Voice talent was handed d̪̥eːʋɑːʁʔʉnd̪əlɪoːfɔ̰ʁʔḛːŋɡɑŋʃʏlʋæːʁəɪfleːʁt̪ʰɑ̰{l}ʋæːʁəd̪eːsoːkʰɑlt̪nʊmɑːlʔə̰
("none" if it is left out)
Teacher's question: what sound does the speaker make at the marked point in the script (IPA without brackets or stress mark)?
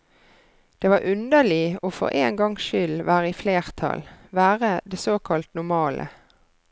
l